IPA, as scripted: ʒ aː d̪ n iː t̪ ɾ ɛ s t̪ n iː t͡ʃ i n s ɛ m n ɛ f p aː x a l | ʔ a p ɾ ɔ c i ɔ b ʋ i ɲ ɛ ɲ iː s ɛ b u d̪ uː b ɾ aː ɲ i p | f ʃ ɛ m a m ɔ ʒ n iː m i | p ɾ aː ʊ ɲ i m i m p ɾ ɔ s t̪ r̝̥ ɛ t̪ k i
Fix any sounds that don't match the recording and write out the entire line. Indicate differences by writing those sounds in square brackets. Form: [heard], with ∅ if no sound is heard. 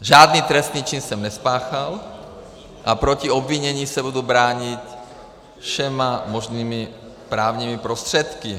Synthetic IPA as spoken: ʒ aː d̪ n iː t̪ ɾ ɛ s t̪ n iː t͡ʃ i n s ɛ m n ɛ [s] p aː x a l | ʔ a p ɾ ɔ c i ɔ b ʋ i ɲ ɛ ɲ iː s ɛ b u d̪ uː b ɾ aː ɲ i [c] | f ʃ ɛ m a m ɔ ʒ n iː m i | p ɾ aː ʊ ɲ i m i [∅] p ɾ ɔ s t̪ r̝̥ ɛ t̪ k i